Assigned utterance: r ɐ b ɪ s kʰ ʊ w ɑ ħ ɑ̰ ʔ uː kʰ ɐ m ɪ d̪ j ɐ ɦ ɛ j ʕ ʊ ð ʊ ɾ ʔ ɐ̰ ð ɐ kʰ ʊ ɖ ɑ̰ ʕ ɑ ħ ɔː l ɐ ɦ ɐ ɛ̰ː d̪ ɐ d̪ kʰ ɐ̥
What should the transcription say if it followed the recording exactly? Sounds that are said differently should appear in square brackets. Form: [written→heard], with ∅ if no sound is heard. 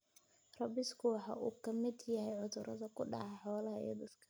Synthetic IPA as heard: r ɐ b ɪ s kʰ ʊ w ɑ ħ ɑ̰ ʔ uː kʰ ɐ m ɪ d̪ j ɐ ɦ ɛ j ʕ ʊ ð ʊ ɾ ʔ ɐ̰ ð ɐ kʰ ʊ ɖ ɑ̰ ʕ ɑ ħ ɔː l ɐ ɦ ɐ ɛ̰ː d̪ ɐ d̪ kʰ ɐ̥